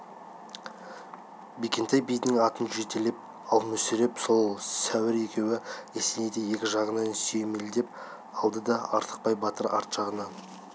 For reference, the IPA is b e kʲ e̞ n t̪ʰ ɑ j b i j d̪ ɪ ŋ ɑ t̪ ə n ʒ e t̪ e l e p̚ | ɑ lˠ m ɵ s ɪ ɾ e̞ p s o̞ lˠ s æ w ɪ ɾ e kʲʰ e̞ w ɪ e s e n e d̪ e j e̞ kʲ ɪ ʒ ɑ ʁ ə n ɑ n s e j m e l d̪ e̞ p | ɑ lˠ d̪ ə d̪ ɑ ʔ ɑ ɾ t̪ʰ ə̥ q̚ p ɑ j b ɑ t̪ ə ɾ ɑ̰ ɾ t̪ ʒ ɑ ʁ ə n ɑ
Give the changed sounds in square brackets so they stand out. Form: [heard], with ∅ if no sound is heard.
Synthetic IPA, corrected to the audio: b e kʲ e̞ n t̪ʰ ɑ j b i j d̪ ɪ ŋ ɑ t̪ ə n ʒ e t̪ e l e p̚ | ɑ lˠ m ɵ s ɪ ɾ e̞ p s o̞ lˠ s æ w ɪ ɾ e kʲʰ e̞ w ɪ e s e n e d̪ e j e̞ kʲ ɪ ʒ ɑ ʁ ə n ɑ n s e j m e l d̪ e̞ p | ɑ lˠ d̪ ə d̪ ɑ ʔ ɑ ɾ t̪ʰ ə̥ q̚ p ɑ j b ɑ t̪ ə ɾ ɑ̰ ɾ t̪ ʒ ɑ ʁ ə n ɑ

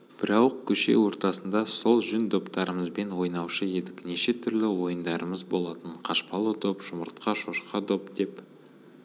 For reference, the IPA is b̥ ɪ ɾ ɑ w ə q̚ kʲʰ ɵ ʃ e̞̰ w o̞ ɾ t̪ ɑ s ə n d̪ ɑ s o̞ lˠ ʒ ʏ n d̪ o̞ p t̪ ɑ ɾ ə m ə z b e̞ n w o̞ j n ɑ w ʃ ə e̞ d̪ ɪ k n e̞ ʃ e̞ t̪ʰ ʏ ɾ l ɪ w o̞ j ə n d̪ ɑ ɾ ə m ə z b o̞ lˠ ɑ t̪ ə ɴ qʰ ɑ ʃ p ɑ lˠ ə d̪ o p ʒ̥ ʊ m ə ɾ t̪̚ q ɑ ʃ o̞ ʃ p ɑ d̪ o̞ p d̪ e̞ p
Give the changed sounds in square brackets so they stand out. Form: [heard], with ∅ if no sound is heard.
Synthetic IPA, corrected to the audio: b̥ ɪ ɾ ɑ w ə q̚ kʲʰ ɵ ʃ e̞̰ w o̞ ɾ t̪ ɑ s ə n d̪ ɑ s o̞ lˠ ʒ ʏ n d̪ o̞ p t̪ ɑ ɾ ə m ə z b e̞ n w o̞ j n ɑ w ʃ ə e̞ d̪ ɪ k n e̞ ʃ e̞ t̪ʰ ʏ ɾ l ɪ w o̞ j ə n d̪ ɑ ɾ ə m ə z b o̞ lˠ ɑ t̪ ə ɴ qʰ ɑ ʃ p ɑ lˠ ə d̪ o p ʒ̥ ʊ m ə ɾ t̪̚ q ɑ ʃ o̞ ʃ [q] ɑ d̪ o̞ p d̪ e̞ p

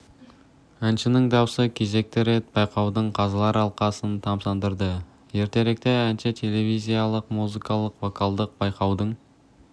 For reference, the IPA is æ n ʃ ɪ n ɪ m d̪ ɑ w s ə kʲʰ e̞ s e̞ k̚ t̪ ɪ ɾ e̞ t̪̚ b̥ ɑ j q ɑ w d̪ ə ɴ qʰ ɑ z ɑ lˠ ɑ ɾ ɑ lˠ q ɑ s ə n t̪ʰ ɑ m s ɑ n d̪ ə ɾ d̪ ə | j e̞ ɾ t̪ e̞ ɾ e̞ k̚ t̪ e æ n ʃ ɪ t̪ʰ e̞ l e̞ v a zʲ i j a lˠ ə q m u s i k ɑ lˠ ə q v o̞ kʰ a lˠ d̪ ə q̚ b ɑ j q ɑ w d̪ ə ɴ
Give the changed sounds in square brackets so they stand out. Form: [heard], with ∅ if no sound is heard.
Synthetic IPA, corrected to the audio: æ n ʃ ɪ n ɪ [ŋ] d̪ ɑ w s ə kʲʰ e̞ [z] e̞ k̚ t̪ ɪ ɾ e̞ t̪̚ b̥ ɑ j q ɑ w d̪ ə ɴ qʰ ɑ z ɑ lˠ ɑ ɾ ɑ lˠ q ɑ s ə n t̪ʰ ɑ m s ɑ n d̪ ə ɾ d̪ ə | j e̞ ɾ t̪ e̞ ɾ e̞ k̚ t̪ e æ n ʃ ɪ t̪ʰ e̞ l e̞ v [i] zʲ i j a lˠ ə q m u [z] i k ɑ lˠ ə q v o̞ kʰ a lˠ d̪ ə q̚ b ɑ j q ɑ w d̪ ə ɴ

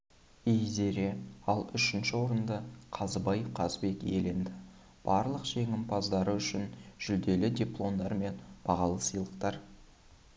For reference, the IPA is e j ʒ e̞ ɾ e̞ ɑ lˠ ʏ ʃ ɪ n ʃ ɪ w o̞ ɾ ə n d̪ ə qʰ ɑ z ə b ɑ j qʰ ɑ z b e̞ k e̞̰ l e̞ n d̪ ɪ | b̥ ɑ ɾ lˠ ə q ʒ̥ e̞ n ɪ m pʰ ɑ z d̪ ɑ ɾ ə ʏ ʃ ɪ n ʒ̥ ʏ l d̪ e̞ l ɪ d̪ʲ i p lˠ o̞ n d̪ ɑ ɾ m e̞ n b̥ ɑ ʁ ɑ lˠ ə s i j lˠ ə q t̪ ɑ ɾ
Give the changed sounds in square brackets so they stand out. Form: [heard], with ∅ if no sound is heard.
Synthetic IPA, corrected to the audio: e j [z] e̞ ɾ e̞ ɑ lˠ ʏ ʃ ɪ n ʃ ɪ w o̞ ɾ ə n d̪ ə qʰ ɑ z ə b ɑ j qʰ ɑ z b e̞ k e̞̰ l e̞ n d̪ ɪ | b̥ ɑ ɾ lˠ ə q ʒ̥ e̞ [ŋ] ɪ m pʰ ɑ z d̪ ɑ ɾ ə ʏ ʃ ɪ n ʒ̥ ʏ l d̪ e̞ l ɪ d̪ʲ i p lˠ o̞ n d̪ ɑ ɾ m e̞ n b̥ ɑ ʁ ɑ lˠ ə s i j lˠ ə q t̪ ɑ ɾ

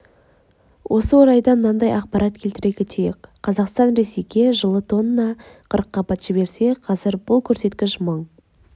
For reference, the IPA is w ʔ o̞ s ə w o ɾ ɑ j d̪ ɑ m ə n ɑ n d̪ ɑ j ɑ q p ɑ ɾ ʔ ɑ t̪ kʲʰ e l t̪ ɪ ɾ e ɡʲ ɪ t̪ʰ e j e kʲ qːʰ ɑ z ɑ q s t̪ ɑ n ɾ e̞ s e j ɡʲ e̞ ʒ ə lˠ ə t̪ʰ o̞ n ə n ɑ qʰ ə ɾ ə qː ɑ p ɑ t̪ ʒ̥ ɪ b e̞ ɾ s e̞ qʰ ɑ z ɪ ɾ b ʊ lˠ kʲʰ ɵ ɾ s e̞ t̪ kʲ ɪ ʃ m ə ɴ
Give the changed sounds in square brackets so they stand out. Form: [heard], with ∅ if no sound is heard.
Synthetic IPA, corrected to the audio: w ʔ o̞ s ə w o ɾ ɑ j d̪ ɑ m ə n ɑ n d̪ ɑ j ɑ q p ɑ ɾ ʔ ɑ t̪ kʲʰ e l t̪ ɪ ɾ e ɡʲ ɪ t̪ʰ e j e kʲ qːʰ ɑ z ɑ q s t̪ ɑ n ɾ e̞ s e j ɡʲ e̞ ʒ ə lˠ ə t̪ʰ o̞ n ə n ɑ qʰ ə ɾ ə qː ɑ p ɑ t̪ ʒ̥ ɪ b e̞ ɾ s e̞ qʰ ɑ z ɪ ɾ b ʊ lˠ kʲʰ ɵ ɾ s e̞ t̪ kʲ ɪ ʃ m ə ɴ

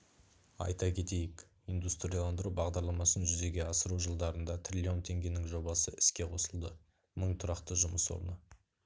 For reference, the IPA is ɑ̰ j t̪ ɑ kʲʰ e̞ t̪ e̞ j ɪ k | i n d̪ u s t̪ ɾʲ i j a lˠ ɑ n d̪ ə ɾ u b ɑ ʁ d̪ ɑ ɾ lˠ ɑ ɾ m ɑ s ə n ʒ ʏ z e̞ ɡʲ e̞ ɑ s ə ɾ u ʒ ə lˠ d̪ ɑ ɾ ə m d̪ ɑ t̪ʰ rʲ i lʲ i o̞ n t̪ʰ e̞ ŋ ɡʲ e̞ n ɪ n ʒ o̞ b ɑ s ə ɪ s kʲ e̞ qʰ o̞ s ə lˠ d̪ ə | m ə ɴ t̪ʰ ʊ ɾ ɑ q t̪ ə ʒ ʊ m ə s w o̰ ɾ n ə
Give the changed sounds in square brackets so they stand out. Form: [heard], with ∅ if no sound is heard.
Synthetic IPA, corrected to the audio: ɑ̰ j t̪ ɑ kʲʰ e̞ t̪ e̞ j ɪ k | i n d̪ u s t̪ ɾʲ i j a lˠ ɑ n d̪ ə ɾ u b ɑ ʁ d̪ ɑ ɾ lˠ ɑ [∅] m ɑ s ə n ʒ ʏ z e̞ ɡʲ e̞ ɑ s ə ɾ u ʒ ə lˠ d̪ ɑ ɾ ə [n] d̪ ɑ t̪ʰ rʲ i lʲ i o̞ n t̪ʰ e̞ ŋ ɡʲ e̞ n ɪ [ŋ] ʒ o̞ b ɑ s ə ɪ s kʲ e̞ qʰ o̞ s ə lˠ d̪ ə | m ə ɴ t̪ʰ ʊ ɾ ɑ q t̪ ə ʒ ʊ m ə s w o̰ ɾ n ə

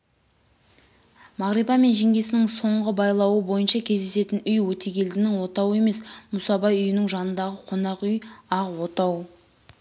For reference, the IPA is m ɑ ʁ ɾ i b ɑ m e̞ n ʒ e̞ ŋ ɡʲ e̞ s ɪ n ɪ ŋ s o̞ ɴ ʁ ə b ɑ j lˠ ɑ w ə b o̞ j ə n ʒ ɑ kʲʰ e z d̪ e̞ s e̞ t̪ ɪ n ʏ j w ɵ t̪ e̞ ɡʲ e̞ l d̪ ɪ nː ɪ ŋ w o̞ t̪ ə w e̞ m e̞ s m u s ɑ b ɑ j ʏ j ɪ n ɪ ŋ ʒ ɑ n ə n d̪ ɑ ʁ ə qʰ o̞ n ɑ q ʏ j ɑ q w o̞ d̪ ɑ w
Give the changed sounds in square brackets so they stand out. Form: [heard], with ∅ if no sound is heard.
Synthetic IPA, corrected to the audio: m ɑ ʁ ɾ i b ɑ m e̞ n ʒ e̞ ŋ ɡʲ e̞ s ɪ n ɪ ŋ s o̞ ɴ ʁ ə b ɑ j lˠ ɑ w ə b o̞ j ə n [ʃ] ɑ kʲʰ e z d̪ e̞ s e̞ t̪ ɪ n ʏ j w ɵ t̪ e̞ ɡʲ e̞ l d̪ ɪ [n] ɪ ŋ w o̞ t̪ [ɑ] w e̞ m e̞ s m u s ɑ b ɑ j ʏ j ɪ n ɪ ŋ ʒ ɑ n ə n d̪ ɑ ʁ ə qʰ o̞ n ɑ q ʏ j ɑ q w o̞ [t̪] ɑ w

